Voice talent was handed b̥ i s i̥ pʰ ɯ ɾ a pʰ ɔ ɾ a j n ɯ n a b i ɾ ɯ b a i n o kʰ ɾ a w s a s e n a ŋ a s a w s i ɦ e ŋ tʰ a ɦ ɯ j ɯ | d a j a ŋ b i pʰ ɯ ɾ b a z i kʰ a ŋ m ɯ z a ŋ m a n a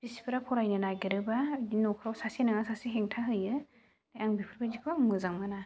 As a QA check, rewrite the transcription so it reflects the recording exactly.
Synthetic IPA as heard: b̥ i s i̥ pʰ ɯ ɾ a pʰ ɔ ɾ a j n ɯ n a ɡ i ɾ ɯ b a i n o kʰ ɾ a w s a s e n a ŋ a s a s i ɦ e ŋ tʰ a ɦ ɯ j ɯ | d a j a ŋ b i pʰ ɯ ɾ b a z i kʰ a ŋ m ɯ z a ŋ m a n a